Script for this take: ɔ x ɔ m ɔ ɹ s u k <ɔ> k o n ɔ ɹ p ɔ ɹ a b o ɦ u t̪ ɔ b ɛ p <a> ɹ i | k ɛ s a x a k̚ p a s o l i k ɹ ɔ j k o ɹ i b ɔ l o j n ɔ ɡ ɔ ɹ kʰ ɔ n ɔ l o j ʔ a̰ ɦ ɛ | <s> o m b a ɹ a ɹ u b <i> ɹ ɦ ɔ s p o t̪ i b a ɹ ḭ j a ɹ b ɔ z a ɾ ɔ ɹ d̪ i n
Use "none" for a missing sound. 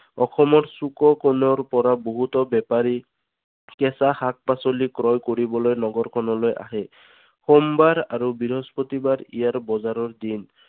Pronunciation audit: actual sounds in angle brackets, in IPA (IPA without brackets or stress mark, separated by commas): ɔ, a, x, i